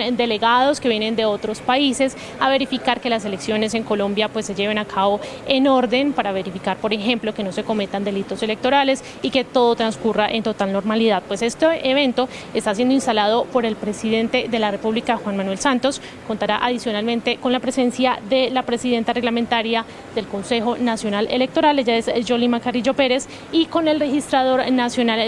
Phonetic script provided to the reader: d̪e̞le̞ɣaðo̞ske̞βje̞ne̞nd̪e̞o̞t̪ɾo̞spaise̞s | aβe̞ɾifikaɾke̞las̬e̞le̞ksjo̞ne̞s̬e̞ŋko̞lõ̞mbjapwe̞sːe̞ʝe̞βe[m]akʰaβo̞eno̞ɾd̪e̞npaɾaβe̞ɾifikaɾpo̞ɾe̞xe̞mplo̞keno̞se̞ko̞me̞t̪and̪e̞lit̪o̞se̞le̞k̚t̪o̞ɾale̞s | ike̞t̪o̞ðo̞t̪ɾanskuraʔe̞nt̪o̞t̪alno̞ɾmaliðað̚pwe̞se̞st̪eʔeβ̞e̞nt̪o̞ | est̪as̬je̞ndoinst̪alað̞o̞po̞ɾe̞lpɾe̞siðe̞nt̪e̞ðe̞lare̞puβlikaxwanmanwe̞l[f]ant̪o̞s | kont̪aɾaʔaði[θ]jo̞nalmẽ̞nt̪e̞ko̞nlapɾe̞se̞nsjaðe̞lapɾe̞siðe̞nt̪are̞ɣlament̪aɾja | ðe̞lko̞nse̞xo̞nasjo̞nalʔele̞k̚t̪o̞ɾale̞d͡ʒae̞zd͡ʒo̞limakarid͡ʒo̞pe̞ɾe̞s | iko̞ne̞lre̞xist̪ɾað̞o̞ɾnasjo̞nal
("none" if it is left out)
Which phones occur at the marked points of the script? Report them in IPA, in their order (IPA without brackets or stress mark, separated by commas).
n, s, s